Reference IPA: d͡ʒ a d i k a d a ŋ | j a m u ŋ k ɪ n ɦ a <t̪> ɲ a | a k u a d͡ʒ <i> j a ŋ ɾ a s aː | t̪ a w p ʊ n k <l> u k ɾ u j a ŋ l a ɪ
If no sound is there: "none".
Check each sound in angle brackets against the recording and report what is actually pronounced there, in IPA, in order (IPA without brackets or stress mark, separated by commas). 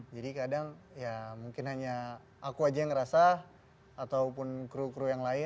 none, a, ɾ